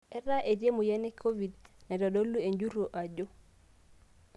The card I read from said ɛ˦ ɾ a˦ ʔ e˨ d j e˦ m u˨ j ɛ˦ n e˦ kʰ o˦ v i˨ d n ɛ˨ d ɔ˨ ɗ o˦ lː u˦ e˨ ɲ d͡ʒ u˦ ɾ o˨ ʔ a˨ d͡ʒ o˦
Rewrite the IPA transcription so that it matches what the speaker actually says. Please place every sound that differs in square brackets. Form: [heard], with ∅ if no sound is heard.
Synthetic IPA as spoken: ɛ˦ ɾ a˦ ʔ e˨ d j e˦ m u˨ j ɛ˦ n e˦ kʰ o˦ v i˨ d n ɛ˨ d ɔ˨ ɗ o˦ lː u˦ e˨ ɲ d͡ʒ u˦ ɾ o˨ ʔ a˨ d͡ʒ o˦